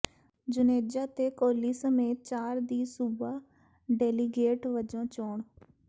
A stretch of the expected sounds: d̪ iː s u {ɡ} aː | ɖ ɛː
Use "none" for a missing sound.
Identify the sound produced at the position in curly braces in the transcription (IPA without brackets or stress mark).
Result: b